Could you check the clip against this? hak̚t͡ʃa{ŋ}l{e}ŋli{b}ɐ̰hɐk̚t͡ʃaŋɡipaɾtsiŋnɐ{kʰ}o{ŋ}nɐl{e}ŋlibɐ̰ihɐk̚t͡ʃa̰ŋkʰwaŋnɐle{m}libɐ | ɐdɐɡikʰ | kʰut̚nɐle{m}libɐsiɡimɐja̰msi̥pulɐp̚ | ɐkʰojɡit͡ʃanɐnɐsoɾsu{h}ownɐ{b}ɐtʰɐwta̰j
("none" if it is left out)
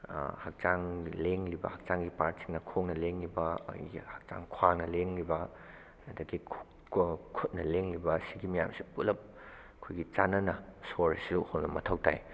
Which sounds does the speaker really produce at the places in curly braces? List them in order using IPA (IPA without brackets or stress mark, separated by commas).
ŋ, e, b, kʰ, ŋ, e, ŋ, ŋ, h, m